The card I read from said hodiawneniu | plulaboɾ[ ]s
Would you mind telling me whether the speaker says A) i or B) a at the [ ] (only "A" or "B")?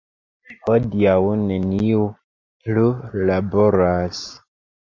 B